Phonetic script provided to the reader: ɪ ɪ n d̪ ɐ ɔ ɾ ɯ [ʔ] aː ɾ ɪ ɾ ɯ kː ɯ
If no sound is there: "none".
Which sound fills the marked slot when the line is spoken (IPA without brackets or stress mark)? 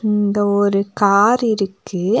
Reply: k